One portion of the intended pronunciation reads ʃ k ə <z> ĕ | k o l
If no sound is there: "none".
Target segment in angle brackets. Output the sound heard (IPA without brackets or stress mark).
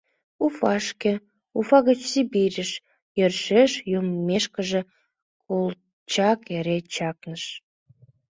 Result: ʒ